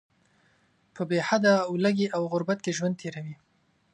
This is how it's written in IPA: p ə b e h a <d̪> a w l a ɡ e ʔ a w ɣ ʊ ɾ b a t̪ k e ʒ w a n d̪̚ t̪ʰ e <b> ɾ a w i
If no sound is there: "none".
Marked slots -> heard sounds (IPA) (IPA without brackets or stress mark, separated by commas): d̪, none